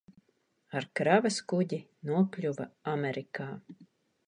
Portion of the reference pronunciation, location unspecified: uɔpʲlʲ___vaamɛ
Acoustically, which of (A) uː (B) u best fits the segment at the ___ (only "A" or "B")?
B